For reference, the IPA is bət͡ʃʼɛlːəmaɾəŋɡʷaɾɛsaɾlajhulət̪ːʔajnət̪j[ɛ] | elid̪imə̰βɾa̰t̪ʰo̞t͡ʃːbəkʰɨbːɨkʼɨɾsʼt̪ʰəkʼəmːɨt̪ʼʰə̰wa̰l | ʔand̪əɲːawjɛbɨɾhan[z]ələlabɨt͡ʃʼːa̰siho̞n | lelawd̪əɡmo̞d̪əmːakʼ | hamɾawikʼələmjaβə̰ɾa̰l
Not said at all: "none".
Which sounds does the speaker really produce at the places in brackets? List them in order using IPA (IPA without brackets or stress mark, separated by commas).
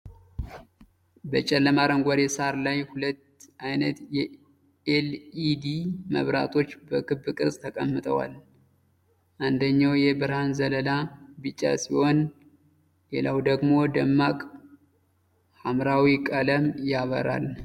ɛ, z